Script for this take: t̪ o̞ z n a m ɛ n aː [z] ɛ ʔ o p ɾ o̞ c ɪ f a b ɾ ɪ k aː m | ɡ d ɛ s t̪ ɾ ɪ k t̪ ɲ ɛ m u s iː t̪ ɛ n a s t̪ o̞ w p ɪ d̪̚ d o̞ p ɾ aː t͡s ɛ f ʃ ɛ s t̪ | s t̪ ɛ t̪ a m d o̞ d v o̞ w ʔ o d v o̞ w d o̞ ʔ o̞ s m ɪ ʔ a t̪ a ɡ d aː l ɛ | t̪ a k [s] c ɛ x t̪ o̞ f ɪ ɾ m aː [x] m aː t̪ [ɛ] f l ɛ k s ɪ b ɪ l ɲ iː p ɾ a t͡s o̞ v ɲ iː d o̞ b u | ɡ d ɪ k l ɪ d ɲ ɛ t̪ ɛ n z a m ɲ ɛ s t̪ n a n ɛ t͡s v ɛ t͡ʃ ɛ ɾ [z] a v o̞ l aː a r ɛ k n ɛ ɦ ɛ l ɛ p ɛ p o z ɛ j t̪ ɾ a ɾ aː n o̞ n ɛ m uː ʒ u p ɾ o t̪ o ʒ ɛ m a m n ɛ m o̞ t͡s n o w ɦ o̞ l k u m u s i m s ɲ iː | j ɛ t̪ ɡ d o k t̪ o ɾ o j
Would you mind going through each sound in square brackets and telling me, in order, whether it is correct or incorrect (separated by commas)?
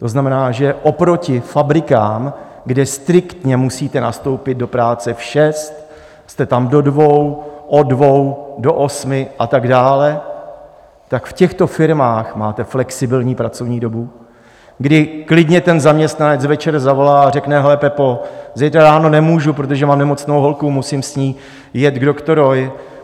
incorrect, incorrect, correct, correct, correct